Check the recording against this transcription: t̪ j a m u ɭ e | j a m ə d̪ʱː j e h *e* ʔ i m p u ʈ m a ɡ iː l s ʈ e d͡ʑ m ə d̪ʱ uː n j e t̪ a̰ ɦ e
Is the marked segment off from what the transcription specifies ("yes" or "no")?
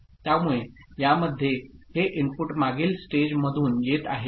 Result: no